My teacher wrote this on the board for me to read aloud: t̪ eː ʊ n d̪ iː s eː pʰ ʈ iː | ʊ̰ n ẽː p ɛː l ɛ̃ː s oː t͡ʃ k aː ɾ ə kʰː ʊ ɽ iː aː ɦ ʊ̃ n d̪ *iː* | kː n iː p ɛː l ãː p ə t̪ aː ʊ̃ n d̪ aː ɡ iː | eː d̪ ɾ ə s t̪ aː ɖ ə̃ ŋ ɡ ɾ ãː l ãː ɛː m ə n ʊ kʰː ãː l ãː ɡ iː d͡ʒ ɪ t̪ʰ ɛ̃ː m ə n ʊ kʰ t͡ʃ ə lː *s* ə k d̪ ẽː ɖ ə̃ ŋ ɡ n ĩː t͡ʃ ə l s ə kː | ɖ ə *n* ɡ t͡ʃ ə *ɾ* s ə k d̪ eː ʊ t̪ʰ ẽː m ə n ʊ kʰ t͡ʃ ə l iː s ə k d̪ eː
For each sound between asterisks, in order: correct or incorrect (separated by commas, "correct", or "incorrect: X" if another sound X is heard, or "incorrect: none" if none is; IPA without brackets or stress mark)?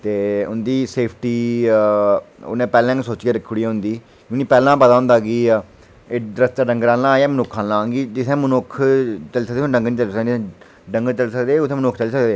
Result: correct, correct, incorrect: ŋ, incorrect: l